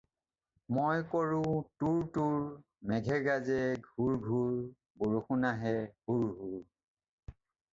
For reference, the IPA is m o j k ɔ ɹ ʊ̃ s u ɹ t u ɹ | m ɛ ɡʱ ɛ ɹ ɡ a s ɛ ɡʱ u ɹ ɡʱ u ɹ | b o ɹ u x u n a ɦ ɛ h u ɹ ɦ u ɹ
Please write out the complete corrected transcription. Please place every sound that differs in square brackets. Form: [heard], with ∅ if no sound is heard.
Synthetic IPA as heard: m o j k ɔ ɹ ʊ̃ [t] u ɹ t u ɹ | m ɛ ɡʱ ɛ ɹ ɡ a [z] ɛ ɡʱ u ɹ ɡʱ u ɹ | b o ɹ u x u n a ɦ ɛ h u ɹ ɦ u ɹ